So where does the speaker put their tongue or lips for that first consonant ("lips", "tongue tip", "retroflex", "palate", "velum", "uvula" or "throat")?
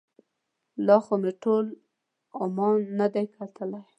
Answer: tongue tip